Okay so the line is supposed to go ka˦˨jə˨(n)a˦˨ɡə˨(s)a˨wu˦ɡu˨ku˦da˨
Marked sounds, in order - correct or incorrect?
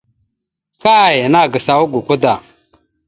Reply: correct, correct

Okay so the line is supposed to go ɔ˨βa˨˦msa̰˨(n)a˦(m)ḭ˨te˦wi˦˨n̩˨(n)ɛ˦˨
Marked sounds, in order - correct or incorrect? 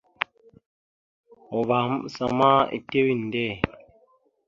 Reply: incorrect, incorrect, incorrect

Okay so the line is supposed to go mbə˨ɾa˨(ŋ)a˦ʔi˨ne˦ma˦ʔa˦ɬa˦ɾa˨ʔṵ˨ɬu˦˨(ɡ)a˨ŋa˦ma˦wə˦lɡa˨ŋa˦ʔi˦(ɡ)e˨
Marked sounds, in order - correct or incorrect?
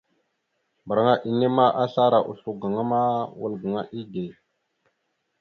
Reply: correct, correct, correct

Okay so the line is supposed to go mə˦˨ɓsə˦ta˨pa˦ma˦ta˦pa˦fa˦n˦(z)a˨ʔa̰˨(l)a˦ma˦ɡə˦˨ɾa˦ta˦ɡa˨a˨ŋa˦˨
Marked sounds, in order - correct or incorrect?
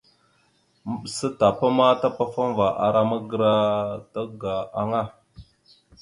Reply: incorrect, incorrect

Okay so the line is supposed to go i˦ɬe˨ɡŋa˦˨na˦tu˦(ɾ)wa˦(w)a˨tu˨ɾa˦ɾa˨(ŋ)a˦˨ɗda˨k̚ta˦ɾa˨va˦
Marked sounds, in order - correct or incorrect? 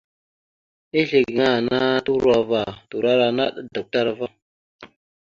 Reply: correct, incorrect, incorrect

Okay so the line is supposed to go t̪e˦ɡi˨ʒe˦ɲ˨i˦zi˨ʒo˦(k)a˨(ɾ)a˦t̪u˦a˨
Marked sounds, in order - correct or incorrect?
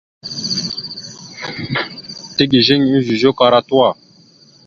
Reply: correct, correct

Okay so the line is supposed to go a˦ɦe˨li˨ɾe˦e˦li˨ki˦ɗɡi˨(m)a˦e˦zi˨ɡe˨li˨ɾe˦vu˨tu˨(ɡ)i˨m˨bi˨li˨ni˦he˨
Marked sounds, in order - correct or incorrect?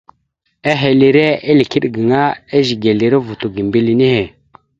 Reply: incorrect, correct

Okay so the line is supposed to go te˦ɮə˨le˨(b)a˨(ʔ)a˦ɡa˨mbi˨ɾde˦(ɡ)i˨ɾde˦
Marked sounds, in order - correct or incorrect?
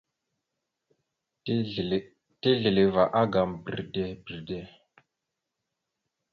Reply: incorrect, correct, incorrect

